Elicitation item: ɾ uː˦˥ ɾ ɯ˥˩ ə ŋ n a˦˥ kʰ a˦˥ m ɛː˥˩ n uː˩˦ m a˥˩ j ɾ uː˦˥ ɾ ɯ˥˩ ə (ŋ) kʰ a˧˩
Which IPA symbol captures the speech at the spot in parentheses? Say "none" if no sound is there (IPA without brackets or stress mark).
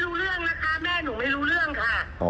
ŋ